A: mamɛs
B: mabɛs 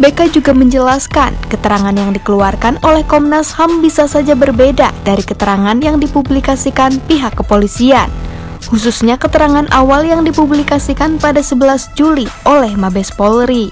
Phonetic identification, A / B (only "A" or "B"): B